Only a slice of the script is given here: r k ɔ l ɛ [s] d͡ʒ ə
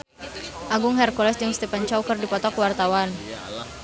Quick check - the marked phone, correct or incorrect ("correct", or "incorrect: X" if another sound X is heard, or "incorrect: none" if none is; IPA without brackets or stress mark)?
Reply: correct